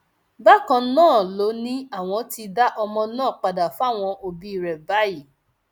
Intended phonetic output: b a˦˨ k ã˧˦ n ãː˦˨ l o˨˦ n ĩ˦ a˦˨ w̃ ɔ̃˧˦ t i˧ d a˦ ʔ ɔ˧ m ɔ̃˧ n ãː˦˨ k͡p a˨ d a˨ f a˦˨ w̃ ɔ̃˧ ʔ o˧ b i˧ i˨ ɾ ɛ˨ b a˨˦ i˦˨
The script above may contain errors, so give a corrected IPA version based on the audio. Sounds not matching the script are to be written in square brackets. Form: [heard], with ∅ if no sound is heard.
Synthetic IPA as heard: b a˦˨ k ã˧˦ n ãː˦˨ l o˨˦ n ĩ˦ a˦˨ w̃ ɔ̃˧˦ t i˧ d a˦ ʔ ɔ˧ m ɔ̃˧ n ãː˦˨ k͡p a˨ d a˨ f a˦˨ w̃ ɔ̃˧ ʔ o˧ b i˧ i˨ ɾ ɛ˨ b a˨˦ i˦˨